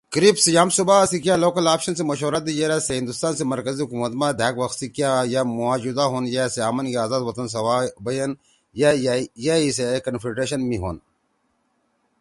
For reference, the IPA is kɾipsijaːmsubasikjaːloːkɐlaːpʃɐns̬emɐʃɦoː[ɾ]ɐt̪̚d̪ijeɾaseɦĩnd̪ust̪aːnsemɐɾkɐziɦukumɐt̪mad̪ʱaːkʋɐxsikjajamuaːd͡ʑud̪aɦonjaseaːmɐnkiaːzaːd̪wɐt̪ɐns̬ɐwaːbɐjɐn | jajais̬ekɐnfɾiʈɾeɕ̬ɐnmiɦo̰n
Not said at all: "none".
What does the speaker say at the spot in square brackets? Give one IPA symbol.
ɾ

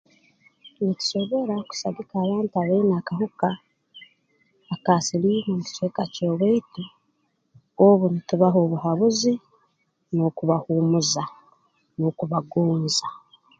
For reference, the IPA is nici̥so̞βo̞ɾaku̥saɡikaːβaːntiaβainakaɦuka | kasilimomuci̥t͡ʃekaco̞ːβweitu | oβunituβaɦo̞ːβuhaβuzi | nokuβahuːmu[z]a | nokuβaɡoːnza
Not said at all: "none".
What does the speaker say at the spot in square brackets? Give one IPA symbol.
z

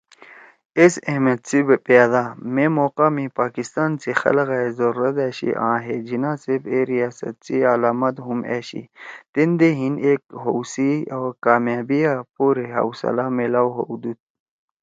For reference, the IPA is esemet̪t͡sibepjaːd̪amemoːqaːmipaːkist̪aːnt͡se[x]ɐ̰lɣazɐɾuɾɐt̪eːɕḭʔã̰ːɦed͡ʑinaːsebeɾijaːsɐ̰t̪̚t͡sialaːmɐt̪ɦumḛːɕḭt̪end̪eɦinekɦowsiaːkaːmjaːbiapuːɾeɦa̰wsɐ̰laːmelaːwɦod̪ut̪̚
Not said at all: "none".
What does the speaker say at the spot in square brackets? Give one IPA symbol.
x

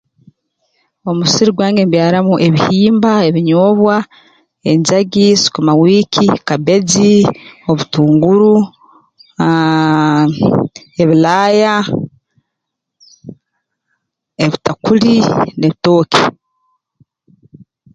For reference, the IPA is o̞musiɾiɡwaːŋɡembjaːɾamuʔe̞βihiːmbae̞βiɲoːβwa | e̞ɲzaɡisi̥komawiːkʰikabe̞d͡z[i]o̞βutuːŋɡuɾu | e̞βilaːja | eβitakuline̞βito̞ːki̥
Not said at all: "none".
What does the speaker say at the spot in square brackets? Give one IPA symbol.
i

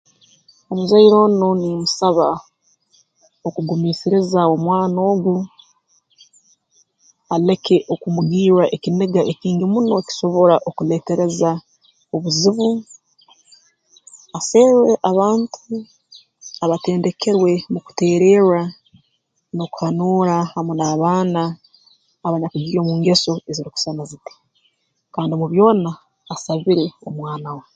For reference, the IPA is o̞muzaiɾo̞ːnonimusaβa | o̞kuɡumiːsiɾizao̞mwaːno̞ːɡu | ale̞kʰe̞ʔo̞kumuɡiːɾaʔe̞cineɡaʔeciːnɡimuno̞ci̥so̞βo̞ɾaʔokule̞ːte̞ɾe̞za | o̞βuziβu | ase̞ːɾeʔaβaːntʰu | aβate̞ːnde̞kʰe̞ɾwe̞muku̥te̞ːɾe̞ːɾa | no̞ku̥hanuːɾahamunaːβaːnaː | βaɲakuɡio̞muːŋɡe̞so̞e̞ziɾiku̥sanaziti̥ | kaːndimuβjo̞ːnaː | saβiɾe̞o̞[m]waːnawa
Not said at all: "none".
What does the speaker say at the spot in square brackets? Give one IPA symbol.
m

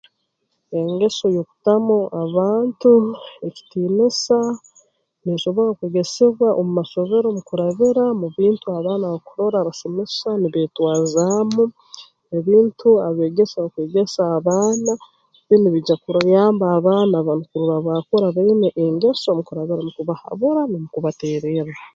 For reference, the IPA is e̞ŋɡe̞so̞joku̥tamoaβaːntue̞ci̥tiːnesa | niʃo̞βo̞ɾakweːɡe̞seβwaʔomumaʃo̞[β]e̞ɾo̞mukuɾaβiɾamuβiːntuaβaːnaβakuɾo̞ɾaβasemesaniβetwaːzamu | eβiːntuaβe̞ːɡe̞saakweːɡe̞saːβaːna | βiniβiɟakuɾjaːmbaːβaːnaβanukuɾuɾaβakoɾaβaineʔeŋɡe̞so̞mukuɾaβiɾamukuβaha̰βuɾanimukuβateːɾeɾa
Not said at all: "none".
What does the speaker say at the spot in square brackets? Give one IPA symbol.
β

